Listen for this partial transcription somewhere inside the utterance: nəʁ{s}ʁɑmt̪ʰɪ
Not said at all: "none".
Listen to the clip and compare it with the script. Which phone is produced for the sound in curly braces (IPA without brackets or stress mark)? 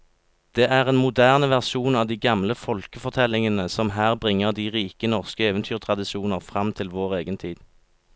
f